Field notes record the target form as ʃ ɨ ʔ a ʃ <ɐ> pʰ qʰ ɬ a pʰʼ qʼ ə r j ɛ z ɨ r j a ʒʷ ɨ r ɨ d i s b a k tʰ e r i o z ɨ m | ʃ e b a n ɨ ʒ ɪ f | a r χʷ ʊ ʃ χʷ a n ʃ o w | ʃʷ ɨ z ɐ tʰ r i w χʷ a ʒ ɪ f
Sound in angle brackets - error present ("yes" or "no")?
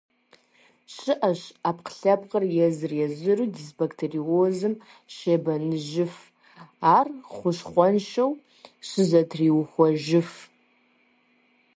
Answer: yes